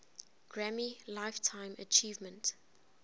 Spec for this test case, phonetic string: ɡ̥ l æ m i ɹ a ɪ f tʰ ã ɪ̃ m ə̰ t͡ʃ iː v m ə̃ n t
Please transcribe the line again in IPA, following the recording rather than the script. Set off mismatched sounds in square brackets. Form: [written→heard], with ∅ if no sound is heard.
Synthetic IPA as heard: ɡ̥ [l→ɹ] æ m i [ɹ→l] a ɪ f tʰ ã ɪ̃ m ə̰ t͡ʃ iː v m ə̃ n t